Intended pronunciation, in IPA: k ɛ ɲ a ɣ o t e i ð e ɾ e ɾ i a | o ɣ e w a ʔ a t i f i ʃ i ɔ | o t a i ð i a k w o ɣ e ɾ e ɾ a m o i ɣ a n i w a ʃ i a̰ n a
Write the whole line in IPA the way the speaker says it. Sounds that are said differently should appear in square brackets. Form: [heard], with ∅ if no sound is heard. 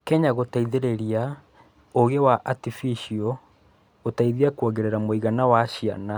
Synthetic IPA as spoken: k ɛ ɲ a ɣ o t [a] i ð e ɾ e ɾ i a | o ɣ e w a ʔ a t i f i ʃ i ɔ | o t a i ð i a k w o ɣ e ɾ e ɾ a m o i ɣ a n [a] w a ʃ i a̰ n a

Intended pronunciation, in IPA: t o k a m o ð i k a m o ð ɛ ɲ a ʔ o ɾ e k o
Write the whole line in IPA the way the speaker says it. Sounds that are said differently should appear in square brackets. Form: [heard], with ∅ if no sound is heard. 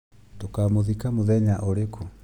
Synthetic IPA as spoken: t o k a m o ð i k a m o ð ɛ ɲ a ʔ o ɾ e k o

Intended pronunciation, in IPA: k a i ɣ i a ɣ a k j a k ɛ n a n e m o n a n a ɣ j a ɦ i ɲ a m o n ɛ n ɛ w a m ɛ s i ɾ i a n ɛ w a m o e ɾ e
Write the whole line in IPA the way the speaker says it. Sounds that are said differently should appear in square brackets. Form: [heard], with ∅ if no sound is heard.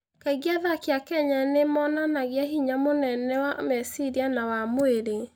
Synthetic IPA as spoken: k a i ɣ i a [ð] a k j a k ɛ [ɲ] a n e m [ɔ] n a n a ɣ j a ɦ i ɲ a m o n ɛ n ɛ w a m ɛ s i ɾ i a n [a] w a m o e ɾ e

